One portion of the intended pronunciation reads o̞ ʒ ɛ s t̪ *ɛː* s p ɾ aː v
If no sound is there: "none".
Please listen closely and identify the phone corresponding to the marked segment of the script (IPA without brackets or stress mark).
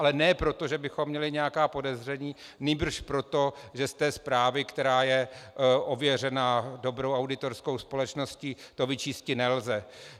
ɛː